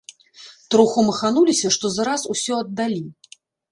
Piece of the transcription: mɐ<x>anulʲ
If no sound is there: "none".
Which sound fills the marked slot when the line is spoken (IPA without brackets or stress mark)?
x